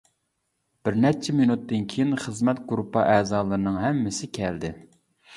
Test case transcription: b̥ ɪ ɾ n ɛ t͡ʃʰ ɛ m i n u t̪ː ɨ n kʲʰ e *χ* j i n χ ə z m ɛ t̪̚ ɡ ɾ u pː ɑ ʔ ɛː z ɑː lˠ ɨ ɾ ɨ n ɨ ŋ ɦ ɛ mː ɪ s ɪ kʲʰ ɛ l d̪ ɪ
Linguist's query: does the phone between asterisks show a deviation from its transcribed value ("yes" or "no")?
yes